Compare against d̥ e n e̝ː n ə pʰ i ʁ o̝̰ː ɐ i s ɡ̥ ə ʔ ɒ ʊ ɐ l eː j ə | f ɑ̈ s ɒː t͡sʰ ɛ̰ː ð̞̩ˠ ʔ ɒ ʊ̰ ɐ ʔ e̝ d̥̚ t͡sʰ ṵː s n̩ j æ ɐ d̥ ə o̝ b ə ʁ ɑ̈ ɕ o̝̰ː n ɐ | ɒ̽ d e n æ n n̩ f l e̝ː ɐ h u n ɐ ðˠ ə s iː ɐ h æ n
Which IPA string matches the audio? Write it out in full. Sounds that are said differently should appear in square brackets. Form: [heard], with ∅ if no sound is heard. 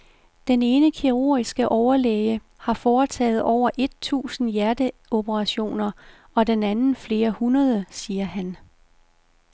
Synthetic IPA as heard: d̥ e n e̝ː n ə [kʰ] i ʁ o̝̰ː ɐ i s ɡ̥ ə ʔ ɒ ʊ ɐ l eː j ə | [h] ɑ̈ [f] ɒː t͡sʰ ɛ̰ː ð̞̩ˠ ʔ ɒ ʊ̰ ɐ ʔ e̝ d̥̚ t͡sʰ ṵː s n̩ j æ ɐ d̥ ə o̝ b ə ʁ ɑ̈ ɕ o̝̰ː n ɐ | ɒ̽ d e n æ n n̩ f l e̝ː ɐ h u n ɐ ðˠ ə s iː ɐ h æ n